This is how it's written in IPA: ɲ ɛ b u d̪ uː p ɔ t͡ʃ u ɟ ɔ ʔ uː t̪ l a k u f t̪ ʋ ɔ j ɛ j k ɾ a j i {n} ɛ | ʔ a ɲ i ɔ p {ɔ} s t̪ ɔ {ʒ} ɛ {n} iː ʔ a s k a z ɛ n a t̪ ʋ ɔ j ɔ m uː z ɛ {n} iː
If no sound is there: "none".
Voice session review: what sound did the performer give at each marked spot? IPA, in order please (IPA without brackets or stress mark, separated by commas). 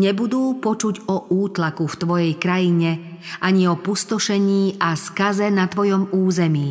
ɲ, u, ʃ, ɲ, m